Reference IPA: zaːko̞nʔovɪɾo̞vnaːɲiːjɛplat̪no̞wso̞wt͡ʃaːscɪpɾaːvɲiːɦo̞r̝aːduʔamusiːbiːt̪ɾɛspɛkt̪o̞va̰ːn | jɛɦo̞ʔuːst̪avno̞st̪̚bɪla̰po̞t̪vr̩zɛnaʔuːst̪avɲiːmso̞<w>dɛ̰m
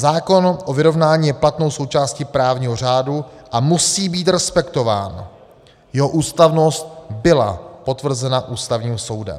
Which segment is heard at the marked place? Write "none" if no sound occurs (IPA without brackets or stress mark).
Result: w